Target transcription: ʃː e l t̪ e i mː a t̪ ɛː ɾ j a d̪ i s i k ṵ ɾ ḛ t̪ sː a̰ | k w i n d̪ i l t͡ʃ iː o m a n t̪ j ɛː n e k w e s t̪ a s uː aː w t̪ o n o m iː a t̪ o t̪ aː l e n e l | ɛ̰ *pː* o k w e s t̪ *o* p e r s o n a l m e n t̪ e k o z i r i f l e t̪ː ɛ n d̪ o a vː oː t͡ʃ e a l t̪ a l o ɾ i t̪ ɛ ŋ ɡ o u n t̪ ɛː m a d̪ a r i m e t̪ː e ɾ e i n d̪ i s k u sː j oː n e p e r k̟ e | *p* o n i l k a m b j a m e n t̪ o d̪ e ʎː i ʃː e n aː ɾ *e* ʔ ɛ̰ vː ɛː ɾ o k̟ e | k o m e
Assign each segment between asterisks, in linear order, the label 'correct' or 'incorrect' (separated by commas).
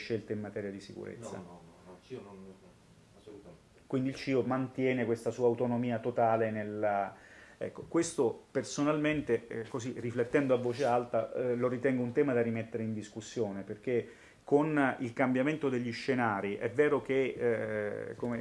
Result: incorrect, correct, incorrect, incorrect